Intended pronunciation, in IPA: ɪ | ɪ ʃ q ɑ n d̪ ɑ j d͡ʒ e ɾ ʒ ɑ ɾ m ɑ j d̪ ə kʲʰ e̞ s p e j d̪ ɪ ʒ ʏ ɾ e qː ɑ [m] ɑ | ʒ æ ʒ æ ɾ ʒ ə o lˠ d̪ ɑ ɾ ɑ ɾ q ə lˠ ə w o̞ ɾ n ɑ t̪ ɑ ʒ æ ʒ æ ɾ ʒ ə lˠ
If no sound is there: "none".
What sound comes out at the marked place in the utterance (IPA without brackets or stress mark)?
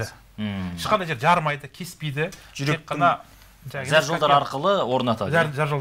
n